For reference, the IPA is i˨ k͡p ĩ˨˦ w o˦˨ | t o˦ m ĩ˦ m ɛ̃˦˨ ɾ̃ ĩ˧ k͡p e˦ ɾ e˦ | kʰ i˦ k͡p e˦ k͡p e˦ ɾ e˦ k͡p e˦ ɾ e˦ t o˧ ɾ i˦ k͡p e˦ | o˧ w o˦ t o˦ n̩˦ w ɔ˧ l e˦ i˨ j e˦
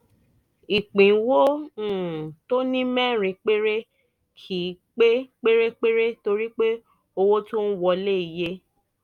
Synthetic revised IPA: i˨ k͡p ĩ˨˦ w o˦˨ | t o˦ n ĩ˦ m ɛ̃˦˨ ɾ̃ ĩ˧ k͡p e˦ ɾ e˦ | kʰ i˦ k͡p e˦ k͡p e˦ ɾ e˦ k͡p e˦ ɾ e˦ t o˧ ɾ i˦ k͡p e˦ | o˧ w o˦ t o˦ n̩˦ w ɔ˧ l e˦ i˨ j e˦